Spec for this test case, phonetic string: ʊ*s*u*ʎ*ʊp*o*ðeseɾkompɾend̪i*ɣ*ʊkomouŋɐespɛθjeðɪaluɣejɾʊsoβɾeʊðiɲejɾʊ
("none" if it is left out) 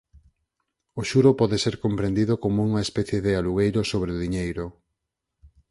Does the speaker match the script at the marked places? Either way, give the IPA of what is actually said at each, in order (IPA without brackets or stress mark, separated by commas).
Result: ʃ, ɾ, ɔ, ð